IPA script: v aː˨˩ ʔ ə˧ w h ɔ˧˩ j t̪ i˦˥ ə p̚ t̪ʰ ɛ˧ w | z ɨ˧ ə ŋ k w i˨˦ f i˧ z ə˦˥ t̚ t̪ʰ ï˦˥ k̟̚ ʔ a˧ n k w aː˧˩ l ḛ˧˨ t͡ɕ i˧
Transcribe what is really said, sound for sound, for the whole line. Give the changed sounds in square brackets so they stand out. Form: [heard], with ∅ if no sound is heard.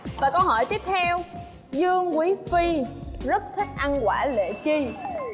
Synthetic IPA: v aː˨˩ [k] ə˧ w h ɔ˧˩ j t̪ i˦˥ ə p̚ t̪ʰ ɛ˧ w | z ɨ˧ ə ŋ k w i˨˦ f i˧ z ə˦˥ t̚ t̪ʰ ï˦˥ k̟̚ ʔ a˧ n k w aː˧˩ l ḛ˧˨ t͡ɕ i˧